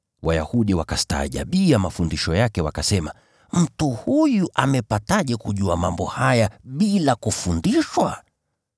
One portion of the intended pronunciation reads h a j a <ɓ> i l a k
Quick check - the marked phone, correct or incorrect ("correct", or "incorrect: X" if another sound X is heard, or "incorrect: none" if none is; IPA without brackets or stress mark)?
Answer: correct